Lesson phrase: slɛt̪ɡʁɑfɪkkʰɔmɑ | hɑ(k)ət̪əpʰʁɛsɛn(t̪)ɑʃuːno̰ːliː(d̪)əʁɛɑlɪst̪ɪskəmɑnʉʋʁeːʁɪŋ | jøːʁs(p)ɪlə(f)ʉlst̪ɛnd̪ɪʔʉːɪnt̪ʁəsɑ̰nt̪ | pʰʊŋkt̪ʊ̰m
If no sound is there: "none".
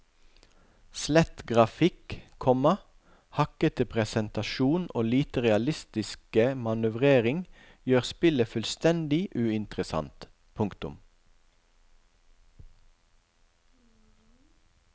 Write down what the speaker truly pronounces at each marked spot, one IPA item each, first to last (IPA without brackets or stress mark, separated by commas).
k, t̪, t̪, p, f